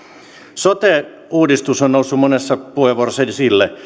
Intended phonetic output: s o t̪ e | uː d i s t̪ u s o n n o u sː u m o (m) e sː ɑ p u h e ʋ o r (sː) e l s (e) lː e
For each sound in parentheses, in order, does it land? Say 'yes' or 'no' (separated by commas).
no, no, no